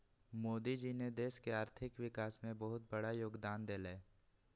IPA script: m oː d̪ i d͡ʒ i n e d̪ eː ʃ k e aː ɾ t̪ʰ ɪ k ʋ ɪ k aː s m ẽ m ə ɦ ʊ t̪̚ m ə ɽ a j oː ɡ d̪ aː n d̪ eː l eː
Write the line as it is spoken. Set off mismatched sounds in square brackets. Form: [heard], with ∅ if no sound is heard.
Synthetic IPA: m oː d̪ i d͡ʒ i n e d̪ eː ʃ k e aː ɾ t̪ʰ ɪ k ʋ ɪ k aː s m ẽ [b] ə ɦ ʊ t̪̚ [b] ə ɽ a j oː ɡ d̪ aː n d̪ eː l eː